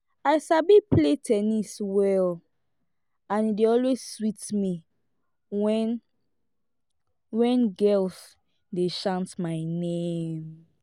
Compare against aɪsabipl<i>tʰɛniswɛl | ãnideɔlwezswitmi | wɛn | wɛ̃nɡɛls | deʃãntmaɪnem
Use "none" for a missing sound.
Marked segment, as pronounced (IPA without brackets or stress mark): e